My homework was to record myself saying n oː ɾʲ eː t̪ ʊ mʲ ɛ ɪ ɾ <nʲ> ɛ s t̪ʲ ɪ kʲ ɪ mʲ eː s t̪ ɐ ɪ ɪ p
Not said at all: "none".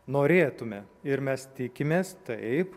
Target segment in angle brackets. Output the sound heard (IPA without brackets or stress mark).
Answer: mʲ